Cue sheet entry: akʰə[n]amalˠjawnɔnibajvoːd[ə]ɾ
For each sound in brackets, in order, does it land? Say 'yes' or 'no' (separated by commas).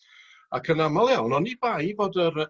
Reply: yes, yes